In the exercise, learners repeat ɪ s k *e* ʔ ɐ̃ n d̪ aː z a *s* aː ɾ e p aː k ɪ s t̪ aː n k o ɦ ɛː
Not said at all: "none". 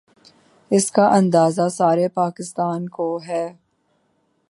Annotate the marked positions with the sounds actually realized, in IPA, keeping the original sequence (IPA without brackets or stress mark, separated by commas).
a, s